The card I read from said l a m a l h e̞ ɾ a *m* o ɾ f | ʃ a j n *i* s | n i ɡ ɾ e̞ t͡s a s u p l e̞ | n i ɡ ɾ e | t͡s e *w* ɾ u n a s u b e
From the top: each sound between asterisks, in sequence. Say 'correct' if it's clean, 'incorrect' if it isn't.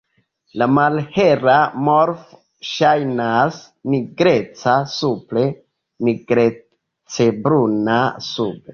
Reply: correct, incorrect: a, incorrect: b

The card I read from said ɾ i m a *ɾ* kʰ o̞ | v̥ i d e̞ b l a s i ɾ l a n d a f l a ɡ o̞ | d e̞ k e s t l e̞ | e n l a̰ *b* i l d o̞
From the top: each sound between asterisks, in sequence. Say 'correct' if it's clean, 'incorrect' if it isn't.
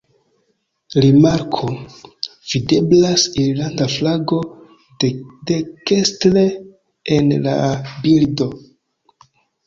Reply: correct, correct

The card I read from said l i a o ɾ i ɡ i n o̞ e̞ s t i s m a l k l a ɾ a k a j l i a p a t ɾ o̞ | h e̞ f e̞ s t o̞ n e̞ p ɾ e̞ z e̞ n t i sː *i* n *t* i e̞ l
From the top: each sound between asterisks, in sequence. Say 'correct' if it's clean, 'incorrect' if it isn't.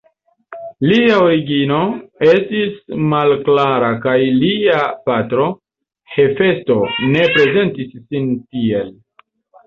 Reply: correct, correct

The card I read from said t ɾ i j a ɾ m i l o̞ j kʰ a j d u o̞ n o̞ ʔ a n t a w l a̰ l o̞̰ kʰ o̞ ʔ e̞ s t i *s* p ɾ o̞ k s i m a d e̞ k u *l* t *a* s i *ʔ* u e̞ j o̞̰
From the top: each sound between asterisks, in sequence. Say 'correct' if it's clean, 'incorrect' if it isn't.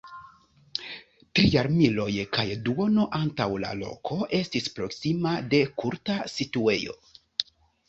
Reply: correct, incorrect: ɾ, correct, incorrect: t

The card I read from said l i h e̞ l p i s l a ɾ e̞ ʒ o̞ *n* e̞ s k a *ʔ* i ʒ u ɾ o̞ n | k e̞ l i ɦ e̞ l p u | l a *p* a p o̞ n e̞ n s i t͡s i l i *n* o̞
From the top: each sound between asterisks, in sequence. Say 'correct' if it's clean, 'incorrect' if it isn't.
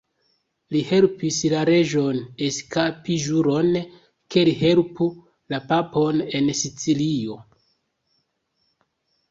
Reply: correct, incorrect: p, correct, incorrect: none

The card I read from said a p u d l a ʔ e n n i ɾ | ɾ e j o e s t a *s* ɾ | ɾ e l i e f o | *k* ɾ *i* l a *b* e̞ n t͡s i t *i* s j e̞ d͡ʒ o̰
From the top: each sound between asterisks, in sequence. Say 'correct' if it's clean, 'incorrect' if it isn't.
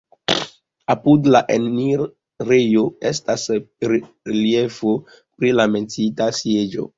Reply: correct, incorrect: p, correct, incorrect: m, incorrect: a

